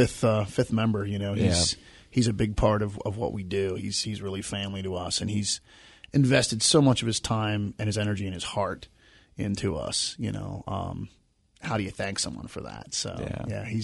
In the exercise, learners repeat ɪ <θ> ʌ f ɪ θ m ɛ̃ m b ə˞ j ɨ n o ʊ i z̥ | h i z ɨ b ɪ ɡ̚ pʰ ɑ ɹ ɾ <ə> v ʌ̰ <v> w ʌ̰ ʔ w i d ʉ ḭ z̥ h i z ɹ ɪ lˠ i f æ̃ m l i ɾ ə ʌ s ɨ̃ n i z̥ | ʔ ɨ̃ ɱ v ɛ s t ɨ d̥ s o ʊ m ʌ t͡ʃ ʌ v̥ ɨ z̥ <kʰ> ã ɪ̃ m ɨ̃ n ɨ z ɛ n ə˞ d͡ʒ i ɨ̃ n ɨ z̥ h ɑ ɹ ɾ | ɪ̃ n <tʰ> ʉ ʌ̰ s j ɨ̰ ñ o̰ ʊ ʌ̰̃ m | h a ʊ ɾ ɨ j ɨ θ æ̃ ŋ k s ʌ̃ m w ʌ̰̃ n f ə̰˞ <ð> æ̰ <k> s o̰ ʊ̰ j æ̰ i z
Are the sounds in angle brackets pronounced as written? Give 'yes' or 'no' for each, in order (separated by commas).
yes, no, yes, no, yes, yes, no